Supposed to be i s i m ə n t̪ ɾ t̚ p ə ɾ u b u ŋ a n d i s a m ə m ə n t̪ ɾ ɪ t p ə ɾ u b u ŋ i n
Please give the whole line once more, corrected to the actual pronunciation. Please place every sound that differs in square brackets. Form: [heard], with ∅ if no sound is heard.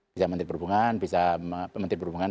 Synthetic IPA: i s [a] m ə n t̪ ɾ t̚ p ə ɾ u b u ŋ a n [b] i s a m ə m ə n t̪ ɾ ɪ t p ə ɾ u b u ŋ [a] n